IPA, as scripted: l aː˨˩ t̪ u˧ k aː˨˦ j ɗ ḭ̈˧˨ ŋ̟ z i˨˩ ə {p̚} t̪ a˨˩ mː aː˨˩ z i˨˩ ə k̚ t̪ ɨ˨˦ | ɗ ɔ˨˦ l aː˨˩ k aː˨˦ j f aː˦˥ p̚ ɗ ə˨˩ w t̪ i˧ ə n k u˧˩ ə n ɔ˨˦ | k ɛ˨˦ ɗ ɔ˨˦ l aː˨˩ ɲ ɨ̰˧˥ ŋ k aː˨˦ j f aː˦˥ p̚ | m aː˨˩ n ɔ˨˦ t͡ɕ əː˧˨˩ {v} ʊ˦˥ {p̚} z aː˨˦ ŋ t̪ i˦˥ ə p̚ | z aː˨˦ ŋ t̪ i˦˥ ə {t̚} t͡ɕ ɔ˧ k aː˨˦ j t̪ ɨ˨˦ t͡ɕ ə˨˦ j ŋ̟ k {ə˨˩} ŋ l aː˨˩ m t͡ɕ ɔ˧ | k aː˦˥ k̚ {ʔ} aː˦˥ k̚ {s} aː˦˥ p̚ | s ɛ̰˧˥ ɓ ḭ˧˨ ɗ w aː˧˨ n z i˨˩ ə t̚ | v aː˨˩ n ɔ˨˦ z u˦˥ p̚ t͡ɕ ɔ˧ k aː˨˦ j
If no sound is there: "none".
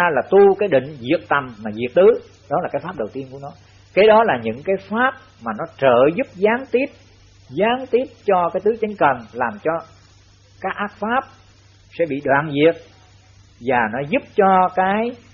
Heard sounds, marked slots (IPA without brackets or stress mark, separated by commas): k̚, z, p̚, p̚, ə˨˩, ʔ, f